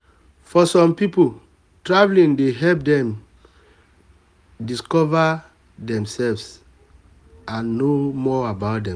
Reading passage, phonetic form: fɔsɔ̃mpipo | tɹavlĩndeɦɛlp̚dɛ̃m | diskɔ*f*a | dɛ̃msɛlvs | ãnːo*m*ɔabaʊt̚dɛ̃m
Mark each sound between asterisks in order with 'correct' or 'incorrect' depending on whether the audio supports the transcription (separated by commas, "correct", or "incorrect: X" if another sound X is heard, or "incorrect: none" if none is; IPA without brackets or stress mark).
incorrect: v, correct